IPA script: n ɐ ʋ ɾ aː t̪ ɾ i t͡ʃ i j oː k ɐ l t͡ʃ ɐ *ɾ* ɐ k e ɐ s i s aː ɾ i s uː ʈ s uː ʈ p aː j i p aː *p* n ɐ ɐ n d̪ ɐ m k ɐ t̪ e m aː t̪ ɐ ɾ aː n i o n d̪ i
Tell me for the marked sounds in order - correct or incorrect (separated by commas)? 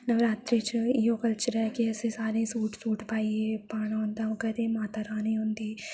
correct, incorrect